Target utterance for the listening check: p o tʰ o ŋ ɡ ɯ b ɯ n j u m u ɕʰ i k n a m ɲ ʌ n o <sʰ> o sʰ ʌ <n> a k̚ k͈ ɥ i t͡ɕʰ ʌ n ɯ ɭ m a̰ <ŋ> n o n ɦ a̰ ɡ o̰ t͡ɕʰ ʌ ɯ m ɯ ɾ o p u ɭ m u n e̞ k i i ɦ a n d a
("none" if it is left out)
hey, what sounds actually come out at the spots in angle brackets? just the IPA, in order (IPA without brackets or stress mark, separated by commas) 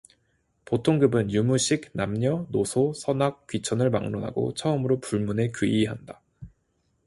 sʰ, n, ŋ